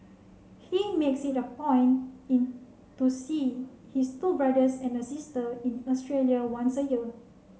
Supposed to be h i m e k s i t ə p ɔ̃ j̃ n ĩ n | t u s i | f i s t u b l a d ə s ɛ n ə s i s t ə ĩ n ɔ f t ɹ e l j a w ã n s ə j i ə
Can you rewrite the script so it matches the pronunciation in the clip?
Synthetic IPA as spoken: h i m e k s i t ə p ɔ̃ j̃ n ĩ n | t u s i | h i s t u b ɹ a d ə s ɛ̃ n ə s i s t ə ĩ n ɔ s t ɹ e l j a w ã n s ə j i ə